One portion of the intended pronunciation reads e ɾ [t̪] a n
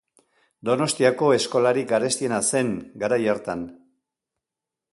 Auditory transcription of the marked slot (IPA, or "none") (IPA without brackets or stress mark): t̪